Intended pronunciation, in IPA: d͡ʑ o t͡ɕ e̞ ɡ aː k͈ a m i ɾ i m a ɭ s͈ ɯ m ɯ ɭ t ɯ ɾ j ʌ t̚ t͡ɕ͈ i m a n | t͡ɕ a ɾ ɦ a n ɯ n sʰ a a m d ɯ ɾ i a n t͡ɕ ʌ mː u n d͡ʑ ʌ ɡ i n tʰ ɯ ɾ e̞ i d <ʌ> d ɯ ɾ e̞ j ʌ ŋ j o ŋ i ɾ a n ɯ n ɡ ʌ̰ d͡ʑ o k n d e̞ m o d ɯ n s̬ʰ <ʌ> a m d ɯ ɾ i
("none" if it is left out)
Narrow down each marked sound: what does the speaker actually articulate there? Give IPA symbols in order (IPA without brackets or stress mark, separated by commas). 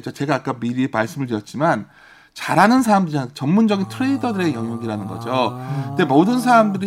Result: ʌ, a